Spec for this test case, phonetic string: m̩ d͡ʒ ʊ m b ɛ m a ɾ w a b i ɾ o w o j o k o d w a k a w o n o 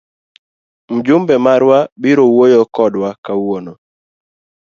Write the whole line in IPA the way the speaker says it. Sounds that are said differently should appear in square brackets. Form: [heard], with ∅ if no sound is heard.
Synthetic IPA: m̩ d͡ʒ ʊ m b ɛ m a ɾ w a b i ɾ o w o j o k [ɔ] d w a k a w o n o